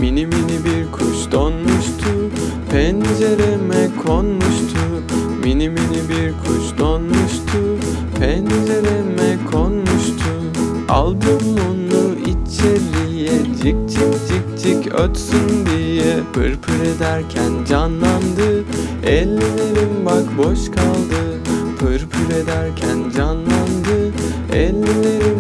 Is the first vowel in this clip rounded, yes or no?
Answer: no